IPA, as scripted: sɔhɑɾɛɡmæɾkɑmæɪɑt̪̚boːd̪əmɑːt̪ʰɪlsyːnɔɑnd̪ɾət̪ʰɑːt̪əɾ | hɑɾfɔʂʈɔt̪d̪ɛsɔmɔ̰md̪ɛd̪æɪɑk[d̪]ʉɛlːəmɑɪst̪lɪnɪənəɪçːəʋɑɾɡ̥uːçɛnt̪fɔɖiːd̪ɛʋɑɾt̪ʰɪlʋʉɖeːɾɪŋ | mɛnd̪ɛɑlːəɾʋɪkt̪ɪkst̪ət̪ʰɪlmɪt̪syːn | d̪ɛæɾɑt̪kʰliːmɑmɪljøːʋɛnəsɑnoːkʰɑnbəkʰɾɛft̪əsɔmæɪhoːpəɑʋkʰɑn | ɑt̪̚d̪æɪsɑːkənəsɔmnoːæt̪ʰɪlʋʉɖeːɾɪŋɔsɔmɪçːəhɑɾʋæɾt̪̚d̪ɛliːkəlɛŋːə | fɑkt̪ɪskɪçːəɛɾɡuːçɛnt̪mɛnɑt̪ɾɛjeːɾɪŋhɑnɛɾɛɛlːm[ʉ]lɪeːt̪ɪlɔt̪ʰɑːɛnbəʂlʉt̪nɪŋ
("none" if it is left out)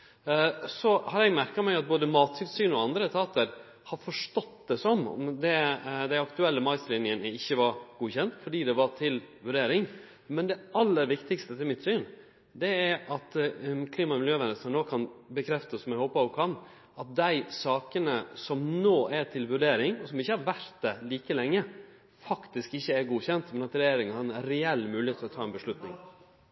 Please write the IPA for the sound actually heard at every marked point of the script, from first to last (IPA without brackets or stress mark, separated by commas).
t̪, ʉː